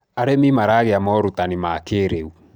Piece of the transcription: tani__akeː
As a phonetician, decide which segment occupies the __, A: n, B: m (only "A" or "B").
B